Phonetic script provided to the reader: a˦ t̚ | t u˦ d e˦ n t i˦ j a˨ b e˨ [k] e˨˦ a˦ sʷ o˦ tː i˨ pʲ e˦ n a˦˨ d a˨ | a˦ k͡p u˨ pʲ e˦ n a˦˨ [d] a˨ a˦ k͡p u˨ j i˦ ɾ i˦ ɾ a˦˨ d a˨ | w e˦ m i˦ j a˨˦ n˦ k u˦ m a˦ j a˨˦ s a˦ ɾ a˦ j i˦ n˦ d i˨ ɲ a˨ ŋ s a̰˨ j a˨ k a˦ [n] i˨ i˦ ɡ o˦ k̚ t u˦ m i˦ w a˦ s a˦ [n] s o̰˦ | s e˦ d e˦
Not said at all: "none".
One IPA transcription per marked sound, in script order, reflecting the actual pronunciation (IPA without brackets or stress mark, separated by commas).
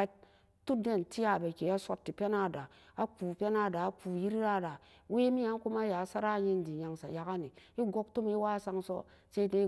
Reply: k, d, n, ŋ